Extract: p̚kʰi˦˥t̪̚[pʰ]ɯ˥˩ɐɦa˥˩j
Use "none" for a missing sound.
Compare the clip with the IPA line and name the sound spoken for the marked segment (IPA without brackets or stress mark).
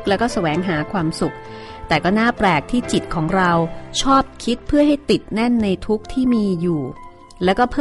pʰ